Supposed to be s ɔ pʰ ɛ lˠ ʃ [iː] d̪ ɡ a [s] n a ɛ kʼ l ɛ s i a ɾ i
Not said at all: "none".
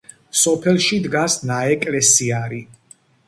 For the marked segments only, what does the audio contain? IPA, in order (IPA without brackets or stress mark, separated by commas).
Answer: i, s